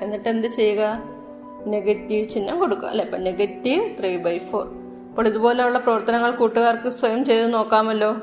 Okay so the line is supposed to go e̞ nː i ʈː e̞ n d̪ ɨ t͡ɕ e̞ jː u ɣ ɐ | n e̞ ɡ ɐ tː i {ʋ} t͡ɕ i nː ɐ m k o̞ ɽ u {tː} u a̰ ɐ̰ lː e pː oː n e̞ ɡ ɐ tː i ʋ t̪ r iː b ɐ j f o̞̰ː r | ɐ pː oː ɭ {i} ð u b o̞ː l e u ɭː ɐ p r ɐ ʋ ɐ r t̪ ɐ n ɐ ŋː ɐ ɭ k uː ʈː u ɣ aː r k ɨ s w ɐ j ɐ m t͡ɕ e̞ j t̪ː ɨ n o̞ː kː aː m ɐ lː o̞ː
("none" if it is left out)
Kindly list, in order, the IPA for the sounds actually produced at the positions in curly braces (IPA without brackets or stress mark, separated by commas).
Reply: ʋ, kː, i